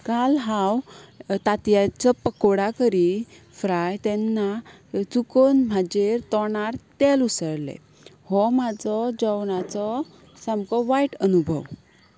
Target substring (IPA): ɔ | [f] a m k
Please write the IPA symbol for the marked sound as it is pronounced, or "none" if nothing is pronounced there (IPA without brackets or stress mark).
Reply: s